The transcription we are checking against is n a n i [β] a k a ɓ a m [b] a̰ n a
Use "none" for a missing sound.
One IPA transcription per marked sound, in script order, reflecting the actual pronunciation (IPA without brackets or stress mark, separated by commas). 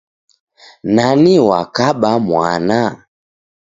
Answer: w, w